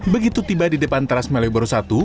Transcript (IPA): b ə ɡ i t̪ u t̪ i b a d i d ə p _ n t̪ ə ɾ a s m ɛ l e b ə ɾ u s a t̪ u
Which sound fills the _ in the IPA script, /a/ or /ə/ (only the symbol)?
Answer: a